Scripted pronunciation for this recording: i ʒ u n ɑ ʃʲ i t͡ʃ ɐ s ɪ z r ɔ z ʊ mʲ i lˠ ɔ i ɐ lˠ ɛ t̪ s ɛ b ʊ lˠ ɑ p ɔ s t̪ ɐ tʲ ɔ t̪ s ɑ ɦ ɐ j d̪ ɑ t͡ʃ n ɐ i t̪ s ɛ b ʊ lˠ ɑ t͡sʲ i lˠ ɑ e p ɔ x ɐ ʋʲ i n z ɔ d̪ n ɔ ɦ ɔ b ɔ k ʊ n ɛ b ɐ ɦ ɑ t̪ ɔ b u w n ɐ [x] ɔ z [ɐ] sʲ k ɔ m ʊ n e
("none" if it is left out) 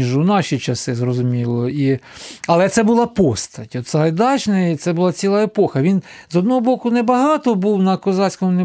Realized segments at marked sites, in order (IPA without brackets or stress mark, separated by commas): k, ɑ